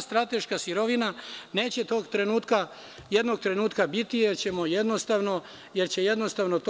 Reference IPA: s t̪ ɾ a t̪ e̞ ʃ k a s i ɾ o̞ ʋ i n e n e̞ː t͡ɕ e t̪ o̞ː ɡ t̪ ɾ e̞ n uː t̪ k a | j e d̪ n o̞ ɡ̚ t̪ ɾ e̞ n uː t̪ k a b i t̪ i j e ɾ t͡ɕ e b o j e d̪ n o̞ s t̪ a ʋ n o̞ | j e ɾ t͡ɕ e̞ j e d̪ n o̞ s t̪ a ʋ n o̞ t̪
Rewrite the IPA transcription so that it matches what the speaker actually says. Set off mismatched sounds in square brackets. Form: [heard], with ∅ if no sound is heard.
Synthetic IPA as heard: s t̪ ɾ a t̪ e̞ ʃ k a s i ɾ o̞ ʋ i n [a] n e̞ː t͡ɕ e t̪ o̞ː ɡ t̪ ɾ e̞ n uː t̪ k a | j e d̪ n o̞ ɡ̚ t̪ ɾ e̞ n uː t̪ k a b i t̪ i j e ɾ t͡ɕ e [m] o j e d̪ n o̞ s t̪ a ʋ n o̞ | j e ɾ t͡ɕ e̞ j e d̪ n o̞ s t̪ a ʋ n o̞ t̪